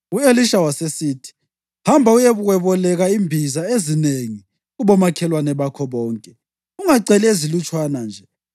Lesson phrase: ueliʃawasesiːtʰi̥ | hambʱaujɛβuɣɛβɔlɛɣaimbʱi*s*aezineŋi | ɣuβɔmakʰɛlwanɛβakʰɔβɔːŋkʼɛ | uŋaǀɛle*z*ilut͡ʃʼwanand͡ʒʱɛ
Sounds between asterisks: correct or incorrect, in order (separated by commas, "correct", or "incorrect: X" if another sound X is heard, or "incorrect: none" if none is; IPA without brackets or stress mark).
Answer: incorrect: z, correct